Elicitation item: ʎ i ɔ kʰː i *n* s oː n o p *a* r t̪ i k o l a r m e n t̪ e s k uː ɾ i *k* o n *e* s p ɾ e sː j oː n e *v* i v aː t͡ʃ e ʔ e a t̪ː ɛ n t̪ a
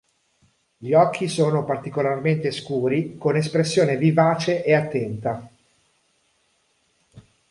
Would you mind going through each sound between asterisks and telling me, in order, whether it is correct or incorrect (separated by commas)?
incorrect, correct, correct, correct, correct